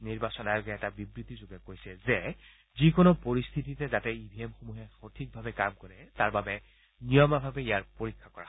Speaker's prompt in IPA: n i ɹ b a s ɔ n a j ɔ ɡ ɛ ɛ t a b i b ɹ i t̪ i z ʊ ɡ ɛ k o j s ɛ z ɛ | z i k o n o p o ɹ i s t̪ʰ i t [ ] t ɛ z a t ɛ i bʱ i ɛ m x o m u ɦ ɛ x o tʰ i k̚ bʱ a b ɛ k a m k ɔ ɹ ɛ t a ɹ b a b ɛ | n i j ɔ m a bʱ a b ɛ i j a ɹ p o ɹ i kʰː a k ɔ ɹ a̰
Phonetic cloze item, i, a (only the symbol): i